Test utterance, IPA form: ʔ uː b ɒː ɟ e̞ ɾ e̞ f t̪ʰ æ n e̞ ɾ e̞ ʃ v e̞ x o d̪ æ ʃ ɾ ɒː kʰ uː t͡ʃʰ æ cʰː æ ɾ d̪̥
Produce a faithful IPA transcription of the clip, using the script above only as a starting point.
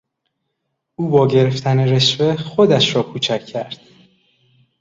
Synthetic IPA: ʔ uː b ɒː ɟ e̞ ɾ e̞ f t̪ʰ æ n e̞ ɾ e̞ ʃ v e̞ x o d̪ æ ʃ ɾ ɒː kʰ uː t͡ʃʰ æ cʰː æ ɾ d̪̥

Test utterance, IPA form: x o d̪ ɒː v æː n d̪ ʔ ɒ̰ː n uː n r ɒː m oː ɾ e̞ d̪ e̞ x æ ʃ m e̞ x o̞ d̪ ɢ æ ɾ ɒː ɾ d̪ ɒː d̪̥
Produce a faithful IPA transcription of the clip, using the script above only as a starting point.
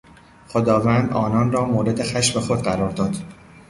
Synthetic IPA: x o d̪ ɒː v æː n d̪ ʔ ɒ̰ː n ɒː n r ɒː m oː ɾ e̞ d̪ e̞ x æ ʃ m e̞ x o̞ d̪ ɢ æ ɾ ɒː ɾ d̪ ɒː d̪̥

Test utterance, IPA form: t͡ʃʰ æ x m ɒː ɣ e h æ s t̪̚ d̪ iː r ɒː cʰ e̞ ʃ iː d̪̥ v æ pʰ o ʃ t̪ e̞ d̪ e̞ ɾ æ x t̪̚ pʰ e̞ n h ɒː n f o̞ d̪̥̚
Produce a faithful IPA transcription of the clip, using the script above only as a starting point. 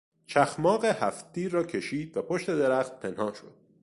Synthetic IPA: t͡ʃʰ æ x m ɒː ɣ e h æ f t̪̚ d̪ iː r ɒː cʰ e̞ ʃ iː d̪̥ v æ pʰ o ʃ t̪ e̞ d̪ e̞ ɾ æ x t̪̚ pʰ e̞ n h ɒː n ʃ o̞ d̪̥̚

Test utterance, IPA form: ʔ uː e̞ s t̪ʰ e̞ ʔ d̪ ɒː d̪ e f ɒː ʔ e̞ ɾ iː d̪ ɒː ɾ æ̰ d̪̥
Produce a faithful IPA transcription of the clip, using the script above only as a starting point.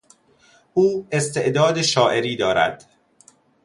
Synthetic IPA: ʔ uː e̞ s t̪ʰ e̞ ʔ d̪ ɒː d̪ e ʃ ɒː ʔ e̞ ɾ iː d̪ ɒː ɾ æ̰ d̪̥

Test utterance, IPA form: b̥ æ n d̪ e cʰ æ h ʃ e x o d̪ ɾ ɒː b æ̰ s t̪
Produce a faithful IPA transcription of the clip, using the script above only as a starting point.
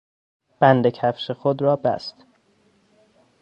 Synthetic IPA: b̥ æ n d̪ e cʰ æ f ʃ e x o d̪ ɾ ɒː b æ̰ s t̪

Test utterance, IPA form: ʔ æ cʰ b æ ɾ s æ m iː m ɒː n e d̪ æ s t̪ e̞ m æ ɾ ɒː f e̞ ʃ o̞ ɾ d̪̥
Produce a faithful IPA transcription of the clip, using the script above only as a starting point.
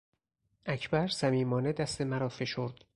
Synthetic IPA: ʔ æ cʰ b æ ɾ s æ m iː m ɒː n e d̪ æ s t̪ e̞ m æ ɾ ɒː f e̞ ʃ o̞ ɾ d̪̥

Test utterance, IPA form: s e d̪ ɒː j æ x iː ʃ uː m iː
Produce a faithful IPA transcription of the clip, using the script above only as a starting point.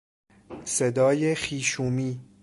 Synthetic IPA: s e d̪ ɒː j e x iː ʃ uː m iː

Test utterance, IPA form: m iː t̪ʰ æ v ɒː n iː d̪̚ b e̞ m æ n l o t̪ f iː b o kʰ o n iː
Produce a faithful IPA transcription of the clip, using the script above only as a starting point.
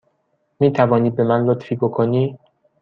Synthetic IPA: m iː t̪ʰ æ v ɒː n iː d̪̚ b e̞ m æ n l o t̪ f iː b o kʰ o n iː

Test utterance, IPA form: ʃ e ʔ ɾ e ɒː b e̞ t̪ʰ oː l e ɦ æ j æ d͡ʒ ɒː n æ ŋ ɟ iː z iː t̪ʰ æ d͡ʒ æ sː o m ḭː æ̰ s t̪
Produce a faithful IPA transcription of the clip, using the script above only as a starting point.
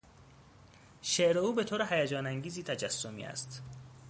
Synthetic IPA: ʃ e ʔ ɾ e uː b e̞ t̪ʰ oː ɾ e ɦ æ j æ d͡ʒ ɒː n æ ŋ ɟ iː z iː t̪ʰ æ d͡ʒ æ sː o m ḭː æ̰ s t̪

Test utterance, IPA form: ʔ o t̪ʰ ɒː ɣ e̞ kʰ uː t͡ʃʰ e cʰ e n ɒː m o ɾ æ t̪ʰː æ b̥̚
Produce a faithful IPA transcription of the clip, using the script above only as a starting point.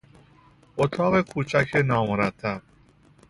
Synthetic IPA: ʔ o t̪ʰ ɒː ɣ e̞ kʰ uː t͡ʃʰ æ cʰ e n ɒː m o ɾ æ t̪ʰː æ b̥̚

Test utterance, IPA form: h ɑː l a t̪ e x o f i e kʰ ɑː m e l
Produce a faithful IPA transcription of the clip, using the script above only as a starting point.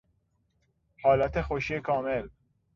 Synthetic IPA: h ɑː l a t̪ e x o ʃ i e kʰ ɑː m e l

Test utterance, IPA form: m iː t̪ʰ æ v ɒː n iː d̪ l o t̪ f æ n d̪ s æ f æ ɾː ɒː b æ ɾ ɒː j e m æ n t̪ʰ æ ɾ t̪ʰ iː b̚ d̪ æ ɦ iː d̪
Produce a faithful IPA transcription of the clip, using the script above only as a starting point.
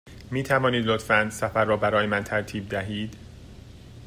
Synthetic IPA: m iː t̪ʰ æ v ɒː n iː d̪ l o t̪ f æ n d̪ s æ f æ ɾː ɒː b æ ɾ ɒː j e m æ n t̪ʰ æ ɾ t̪ʰ iː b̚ d̪ æ ɦ iː d̪

